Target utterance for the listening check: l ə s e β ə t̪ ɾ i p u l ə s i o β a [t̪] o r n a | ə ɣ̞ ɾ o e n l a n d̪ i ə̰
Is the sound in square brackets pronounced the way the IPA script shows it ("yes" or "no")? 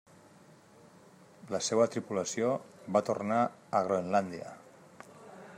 yes